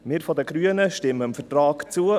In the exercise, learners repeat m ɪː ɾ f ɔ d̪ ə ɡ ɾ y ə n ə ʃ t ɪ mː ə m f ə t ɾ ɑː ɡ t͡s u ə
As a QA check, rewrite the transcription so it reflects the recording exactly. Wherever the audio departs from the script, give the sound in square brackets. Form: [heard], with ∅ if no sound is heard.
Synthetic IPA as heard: m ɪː ɾ f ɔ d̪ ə ɡ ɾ y ə n ə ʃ t ɪ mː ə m f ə t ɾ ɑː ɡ t͡s u ə

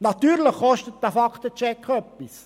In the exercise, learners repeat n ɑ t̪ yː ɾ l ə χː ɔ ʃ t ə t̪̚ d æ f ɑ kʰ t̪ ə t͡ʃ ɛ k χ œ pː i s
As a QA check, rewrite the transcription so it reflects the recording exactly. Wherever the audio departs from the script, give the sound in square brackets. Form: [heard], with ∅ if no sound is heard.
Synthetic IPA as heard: n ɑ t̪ yː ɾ l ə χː ɔ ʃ t ə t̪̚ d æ f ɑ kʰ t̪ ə t͡ʃ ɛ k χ œ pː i s

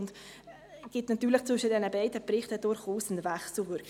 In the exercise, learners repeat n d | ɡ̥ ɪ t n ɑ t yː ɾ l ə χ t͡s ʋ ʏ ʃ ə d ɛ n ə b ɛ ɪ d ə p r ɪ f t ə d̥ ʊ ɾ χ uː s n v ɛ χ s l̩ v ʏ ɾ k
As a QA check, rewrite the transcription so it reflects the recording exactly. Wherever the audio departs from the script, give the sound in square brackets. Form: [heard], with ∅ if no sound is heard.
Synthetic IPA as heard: n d | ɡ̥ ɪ t n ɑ t yː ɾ l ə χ t͡s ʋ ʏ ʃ ə d ɛ n ə b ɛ ɪ d ə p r ɪ [χ] t ə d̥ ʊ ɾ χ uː s n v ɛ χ s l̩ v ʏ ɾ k

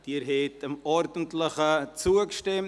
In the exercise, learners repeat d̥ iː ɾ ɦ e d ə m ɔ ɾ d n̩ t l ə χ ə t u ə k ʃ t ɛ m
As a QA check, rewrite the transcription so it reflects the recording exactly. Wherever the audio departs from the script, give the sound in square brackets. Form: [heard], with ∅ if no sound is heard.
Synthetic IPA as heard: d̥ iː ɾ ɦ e [t] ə m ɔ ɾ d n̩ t l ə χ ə [t͡s] u ə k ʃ t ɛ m

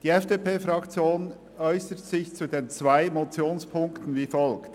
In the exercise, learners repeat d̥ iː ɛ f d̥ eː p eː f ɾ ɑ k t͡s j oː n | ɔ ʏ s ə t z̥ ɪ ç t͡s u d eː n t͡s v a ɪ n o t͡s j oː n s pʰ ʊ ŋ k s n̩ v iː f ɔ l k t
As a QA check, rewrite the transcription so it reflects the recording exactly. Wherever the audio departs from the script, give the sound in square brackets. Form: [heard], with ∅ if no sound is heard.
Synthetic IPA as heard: d̥ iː ɛ f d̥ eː p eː f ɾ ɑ k t͡s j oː n | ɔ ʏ s ə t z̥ ɪ ç t͡s u d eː n t͡s v a ɪ [m] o t͡s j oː n s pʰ ʊ ŋ k [t] n̩ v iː f ɔ l k t

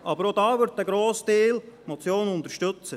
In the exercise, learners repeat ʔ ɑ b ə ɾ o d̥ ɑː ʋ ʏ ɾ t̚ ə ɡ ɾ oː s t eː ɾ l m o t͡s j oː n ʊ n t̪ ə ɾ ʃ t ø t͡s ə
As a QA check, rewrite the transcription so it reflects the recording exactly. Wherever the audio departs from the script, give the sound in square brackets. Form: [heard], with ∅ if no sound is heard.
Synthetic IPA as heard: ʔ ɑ b ə ɾ o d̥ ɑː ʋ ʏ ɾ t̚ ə ɡ ɾ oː s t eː [∅] l m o t͡s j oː n ʊ n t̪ ə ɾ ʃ t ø t͡s ə

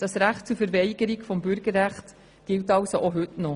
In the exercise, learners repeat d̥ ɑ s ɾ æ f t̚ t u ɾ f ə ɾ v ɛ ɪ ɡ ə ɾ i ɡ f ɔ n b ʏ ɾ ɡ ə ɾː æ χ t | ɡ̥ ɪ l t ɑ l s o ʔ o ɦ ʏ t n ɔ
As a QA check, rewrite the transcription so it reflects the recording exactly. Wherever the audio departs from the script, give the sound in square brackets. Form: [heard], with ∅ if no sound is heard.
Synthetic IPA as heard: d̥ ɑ s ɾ æ [χ] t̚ [t͡s] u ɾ f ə ɾ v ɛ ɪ ɡ ə ɾ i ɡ f ɔ [m] b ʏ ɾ ɡ ə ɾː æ χ t | ɡ̥ ɪ l t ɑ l s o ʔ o ɦ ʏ t n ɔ

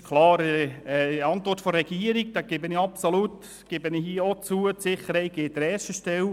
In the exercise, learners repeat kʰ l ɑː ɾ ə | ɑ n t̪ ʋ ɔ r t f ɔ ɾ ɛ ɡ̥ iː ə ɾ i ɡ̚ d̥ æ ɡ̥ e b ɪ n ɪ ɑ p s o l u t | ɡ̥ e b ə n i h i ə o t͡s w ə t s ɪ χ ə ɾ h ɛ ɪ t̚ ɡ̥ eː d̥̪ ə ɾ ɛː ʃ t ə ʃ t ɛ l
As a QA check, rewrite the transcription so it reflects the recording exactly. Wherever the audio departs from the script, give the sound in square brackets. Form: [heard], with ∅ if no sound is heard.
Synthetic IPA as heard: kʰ l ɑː ɾ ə | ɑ n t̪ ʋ ɔ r t f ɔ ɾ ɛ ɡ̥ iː ə ɾ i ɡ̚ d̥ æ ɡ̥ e b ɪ n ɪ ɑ p s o l u t | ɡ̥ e b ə n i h i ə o t͡s [u] ə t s ɪ χ ə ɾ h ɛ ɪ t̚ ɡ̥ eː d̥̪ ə ɾ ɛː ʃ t ə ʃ t ɛ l

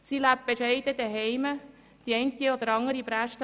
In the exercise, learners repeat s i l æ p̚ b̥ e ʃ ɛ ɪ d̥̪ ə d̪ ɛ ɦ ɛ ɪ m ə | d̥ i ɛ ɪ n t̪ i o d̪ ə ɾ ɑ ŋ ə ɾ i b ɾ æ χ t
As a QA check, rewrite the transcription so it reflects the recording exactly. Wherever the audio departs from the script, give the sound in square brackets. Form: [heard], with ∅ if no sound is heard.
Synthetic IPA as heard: s i l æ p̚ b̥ e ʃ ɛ ɪ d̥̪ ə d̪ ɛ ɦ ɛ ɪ m ə | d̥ i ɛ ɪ n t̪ i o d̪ ə ɾ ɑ ŋ ə ɾ i b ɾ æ [ʃ] t

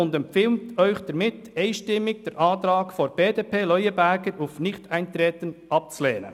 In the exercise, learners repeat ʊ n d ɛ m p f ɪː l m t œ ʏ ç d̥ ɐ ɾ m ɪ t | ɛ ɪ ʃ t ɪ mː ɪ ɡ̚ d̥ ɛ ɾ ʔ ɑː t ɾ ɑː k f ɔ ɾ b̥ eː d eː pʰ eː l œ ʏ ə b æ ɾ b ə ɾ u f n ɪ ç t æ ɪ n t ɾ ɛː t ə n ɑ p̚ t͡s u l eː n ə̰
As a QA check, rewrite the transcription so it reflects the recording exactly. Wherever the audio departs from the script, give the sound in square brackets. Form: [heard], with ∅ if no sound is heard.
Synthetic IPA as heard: ʊ n d ɛ m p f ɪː l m t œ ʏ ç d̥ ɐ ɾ m ɪ t | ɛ ɪ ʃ t ɪ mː ɪ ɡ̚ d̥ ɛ ɾ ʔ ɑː t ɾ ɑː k f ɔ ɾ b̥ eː d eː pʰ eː l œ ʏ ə b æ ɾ [ɡ] ə ɾ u f n ɪ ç t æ ɪ n t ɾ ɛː t ə n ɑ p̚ t͡s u l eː n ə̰

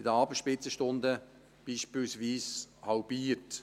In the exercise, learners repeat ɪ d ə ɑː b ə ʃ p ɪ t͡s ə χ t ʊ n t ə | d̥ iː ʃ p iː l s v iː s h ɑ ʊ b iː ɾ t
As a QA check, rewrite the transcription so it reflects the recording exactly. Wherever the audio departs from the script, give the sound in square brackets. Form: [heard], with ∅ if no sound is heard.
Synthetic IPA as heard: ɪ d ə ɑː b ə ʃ p ɪ t͡s ə [ʃ] t ʊ n [d] ə | [b̥] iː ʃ p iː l s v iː s h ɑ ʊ b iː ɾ t

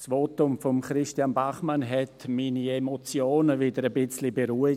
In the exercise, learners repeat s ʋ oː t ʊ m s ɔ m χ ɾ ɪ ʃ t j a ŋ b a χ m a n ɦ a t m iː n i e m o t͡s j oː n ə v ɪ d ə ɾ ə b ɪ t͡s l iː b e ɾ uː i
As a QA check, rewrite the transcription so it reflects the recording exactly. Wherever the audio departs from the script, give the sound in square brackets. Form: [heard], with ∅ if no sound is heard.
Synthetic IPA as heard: s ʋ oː t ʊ m [f] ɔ m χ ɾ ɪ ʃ t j a [n] b a χ m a n ɦ [ɛ] t m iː n i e m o t͡s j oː n ə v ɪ d ə ɾ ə b ɪ t͡s l [i] b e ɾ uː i

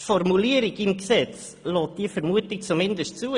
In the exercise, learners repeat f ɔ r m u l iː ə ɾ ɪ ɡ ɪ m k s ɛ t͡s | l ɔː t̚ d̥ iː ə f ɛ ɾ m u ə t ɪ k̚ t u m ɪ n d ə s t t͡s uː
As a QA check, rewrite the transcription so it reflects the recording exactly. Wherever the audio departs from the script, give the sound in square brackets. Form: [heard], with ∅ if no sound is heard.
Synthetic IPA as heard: f ɔ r m u l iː ə ɾ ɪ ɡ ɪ m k s ɛ t͡s | l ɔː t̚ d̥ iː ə f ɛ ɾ m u ə t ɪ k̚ [t͡s] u m ɪ n d ə s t t͡s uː

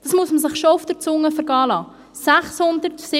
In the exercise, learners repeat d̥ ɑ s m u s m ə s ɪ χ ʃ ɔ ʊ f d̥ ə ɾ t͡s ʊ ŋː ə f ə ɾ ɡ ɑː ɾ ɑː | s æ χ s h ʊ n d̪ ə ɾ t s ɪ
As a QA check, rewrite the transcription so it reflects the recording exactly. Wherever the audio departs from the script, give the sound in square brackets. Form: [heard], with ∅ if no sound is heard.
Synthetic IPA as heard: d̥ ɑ s m u s m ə s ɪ χ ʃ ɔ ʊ f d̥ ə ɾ t͡s ʊ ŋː ə f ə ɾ ɡ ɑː [l] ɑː | s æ χ s h ʊ n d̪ ə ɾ t s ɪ

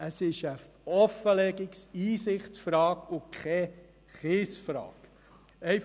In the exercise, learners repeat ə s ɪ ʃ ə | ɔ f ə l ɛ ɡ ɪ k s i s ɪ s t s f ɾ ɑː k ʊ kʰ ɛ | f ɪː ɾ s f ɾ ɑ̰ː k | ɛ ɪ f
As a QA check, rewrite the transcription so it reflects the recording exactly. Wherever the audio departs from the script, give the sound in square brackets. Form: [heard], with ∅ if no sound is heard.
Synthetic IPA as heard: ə s ɪ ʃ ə | ɔ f ə l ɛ ɡ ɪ k s [iː] s ɪ [χ] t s f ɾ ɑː k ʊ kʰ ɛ | [χ] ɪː [∅] s f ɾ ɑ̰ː k | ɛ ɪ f

